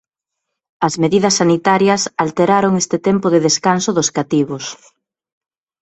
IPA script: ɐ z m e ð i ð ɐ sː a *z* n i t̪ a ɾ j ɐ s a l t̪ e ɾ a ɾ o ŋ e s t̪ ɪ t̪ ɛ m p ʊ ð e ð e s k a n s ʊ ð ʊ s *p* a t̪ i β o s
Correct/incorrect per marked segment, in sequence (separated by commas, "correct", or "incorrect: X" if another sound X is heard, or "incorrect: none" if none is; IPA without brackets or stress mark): incorrect: none, incorrect: k